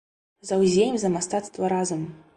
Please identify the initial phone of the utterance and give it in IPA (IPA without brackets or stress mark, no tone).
z